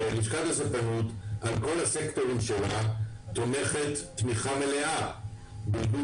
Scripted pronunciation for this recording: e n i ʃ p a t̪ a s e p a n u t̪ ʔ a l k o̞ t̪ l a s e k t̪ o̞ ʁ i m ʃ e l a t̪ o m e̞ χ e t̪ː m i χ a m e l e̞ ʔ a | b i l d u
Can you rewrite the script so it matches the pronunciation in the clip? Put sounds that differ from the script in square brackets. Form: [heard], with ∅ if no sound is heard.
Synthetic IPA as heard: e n i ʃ [k] a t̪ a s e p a n u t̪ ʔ a l k o̞ [∅] l a s e k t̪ o̞ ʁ i m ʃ e l a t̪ o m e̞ χ e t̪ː m i χ a m e l e̞ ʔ a | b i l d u